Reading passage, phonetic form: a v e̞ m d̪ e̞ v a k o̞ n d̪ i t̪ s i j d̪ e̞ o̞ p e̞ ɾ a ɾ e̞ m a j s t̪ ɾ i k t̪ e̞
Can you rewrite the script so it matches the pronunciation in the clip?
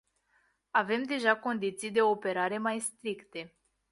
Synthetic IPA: a v e̞ m d̪ e̞ ʒ a k o̞ n d̪ i t̪ s i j d̪ e̞ o̞ p e̞ ɾ a ɾ e̞ m a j s t̪ ɾ i k t̪ e̞